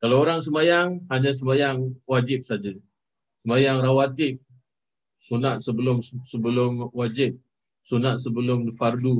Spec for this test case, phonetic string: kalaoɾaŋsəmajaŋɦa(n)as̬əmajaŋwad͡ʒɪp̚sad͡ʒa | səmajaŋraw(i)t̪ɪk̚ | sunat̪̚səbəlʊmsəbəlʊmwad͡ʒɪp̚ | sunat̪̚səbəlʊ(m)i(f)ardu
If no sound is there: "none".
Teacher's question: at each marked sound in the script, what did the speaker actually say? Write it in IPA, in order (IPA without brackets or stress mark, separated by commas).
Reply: ɲ, a, m, f